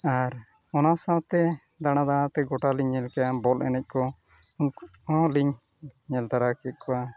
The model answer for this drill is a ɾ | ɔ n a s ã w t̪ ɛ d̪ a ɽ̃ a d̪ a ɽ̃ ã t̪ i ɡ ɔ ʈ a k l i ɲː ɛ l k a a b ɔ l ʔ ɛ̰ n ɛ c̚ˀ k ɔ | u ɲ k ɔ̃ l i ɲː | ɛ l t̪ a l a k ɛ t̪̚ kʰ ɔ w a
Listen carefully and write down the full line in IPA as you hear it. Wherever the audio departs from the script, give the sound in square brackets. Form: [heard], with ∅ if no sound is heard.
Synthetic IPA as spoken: a ɾ | ɔ n a s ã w t̪ ɛ d̪ a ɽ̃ a d̪ a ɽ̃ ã t̪ [ɛ] ɡ ɔ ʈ a [∅] l i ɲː ɛ l k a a b ɔ l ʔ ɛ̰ n ɛ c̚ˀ k ɔ | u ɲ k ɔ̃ l i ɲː | ɛ l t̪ a [ɾ] a k ɛ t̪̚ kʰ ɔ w a